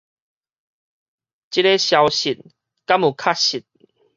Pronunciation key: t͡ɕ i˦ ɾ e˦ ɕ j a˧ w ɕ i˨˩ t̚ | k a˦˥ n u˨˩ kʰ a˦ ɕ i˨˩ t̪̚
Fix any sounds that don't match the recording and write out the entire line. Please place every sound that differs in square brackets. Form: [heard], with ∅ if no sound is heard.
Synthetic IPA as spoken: t͡ɕ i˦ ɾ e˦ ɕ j a˧ w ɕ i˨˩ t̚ | k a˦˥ [m] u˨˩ kʰ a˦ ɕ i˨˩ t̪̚